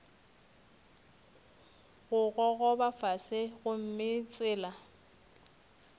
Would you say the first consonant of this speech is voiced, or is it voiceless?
voiced